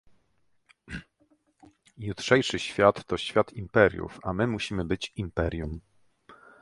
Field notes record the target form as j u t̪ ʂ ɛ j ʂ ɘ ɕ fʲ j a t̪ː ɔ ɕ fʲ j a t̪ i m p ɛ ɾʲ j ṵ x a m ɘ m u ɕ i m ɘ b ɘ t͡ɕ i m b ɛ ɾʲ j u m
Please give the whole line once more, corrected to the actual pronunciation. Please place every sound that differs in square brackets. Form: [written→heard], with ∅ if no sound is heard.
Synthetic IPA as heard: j u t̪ ʂ ɛ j ʂ ɘ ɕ fʲ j a t̪ː ɔ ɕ fʲ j a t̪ i m p ɛ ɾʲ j ṵ [x→f] a m ɘ m u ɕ i m ɘ b ɘ t͡ɕ i m [b→p] ɛ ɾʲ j u m